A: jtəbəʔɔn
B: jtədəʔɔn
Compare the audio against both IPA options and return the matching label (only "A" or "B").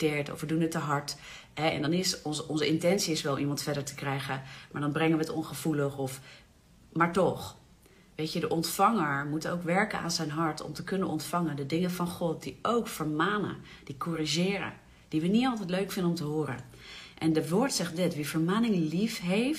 B